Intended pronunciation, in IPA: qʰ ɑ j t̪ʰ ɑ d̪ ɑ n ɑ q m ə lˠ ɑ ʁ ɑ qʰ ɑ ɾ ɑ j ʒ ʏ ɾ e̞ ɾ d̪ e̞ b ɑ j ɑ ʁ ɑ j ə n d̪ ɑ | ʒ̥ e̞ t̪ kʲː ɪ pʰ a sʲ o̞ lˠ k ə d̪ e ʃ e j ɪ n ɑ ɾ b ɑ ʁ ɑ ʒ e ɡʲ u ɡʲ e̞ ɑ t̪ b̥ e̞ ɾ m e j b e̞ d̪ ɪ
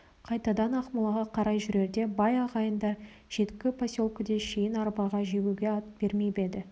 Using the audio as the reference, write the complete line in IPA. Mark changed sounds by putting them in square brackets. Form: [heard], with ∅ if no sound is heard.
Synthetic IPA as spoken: qʰ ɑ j [t̪] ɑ d̪ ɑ n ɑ q m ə lˠ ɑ ʁ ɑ qʰ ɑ ɾ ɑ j ʒ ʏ ɾ e̞ ɾ d̪ e̞ b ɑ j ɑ ʁ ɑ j ə n d̪ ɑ | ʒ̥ e̞ t̪ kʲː ɪ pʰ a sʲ o̞ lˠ k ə d̪ e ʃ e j ɪ n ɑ ɾ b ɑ ʁ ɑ ʒ e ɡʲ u ɡʲ e̞ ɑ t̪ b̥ e̞ ɾ m e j b e̞ d̪ ɪ